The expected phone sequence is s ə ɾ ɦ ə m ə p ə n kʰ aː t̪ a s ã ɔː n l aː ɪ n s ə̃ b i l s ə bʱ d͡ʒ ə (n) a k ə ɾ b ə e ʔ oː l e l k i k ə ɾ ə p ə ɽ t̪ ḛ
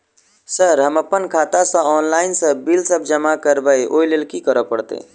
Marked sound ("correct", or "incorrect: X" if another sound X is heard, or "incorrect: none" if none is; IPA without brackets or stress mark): incorrect: m